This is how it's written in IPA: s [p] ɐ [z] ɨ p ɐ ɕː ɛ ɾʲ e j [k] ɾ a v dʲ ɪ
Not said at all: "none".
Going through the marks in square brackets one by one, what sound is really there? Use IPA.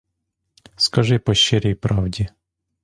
k, ʐ, p

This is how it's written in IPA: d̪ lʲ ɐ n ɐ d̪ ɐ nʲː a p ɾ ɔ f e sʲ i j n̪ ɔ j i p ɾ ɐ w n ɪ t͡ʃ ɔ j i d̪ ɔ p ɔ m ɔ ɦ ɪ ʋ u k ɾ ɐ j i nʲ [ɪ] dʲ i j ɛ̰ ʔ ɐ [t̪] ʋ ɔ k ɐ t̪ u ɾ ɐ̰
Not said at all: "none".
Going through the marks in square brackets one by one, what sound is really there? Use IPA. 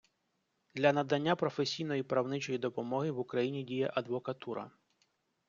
i, d̪

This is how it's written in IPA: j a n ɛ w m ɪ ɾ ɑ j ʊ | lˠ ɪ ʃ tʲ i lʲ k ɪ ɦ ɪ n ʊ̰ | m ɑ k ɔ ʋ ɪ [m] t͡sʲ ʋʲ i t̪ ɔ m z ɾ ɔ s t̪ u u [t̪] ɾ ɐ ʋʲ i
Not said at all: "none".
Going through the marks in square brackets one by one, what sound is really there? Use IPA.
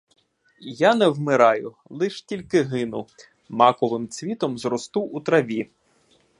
m, t̪

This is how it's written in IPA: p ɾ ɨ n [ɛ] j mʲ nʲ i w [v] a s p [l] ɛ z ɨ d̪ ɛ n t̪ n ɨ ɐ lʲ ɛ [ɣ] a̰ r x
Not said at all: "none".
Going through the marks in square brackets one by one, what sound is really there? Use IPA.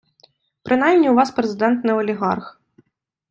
a, v, ɾ, ɣ

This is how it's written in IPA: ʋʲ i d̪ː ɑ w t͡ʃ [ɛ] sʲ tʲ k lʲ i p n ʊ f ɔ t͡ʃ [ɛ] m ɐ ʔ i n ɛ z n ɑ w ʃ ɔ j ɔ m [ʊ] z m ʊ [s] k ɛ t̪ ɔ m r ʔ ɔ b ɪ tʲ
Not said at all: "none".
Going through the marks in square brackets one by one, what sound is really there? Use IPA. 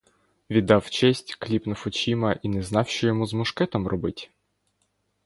ɛ, i, u, ʃ

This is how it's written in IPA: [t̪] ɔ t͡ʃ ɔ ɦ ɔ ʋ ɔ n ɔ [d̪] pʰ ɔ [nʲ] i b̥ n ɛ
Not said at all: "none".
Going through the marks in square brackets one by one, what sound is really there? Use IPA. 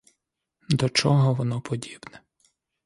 d̪, none, dʲ

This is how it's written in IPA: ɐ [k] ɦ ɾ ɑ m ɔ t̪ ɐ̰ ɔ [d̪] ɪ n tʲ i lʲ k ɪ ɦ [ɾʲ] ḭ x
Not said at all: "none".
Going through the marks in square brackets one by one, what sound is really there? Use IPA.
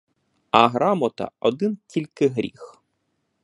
none, d̪, ɾʲ

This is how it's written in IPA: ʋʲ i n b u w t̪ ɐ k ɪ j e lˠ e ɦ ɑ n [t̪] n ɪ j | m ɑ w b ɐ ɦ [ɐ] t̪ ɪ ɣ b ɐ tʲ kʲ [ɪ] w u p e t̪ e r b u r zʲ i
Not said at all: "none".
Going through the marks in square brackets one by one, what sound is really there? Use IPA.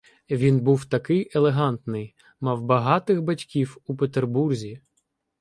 t̪, ɑ, i

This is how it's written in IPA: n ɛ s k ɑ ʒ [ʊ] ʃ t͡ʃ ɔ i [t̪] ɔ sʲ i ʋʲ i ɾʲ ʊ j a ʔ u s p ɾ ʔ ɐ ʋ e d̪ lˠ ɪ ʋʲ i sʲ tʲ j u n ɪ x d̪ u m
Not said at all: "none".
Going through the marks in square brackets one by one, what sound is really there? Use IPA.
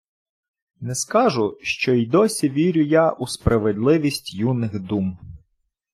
ʊ, d̪

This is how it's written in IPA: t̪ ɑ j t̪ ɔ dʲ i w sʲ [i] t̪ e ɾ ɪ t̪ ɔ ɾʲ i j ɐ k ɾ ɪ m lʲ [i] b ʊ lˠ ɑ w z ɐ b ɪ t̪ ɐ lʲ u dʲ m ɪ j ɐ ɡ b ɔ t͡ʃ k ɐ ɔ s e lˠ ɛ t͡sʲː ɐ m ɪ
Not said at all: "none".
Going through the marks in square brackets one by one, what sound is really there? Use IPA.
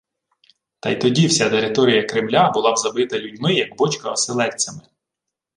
a, a

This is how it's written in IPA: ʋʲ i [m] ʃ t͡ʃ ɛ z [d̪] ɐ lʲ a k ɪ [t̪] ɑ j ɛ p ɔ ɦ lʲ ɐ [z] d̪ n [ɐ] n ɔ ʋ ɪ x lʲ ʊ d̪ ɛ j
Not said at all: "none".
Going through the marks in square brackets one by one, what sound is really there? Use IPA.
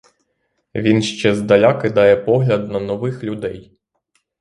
n, d̪, d̪, none, ɐ

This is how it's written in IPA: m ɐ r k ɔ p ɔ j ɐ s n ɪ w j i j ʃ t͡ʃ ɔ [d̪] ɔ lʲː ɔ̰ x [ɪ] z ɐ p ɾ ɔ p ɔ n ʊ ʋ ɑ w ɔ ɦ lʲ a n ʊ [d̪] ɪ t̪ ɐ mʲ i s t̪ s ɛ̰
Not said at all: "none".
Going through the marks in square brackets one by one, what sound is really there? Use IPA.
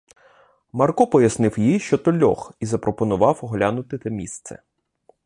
t̪, i, t̪

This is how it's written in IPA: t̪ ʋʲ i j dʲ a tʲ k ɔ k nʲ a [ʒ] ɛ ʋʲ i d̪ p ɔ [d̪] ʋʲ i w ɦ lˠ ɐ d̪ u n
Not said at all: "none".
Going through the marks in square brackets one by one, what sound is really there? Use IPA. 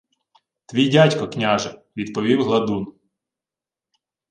ʒ, none

